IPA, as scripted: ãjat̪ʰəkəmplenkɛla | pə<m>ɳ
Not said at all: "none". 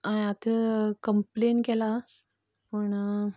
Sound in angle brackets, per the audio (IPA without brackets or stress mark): none